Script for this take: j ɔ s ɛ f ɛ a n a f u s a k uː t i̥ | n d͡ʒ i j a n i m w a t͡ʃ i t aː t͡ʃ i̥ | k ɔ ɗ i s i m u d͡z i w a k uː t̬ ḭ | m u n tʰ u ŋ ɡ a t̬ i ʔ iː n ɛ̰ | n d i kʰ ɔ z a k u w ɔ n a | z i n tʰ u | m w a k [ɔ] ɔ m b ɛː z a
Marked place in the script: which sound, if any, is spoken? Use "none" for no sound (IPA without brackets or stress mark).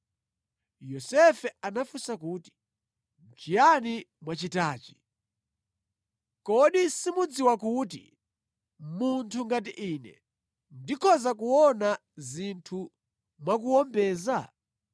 u